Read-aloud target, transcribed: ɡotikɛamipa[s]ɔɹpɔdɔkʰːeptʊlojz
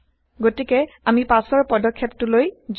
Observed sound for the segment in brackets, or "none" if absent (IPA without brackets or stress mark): s